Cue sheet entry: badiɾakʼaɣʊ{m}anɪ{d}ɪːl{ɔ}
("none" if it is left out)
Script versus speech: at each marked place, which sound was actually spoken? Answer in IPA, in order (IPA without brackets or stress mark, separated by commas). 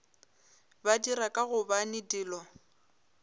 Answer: b, d, ɔ